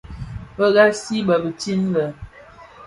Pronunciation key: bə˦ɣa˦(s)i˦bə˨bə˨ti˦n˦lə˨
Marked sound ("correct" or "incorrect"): correct